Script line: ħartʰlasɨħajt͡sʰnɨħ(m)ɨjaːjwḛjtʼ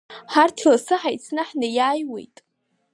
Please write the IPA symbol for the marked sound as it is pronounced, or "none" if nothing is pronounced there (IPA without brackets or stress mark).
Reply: n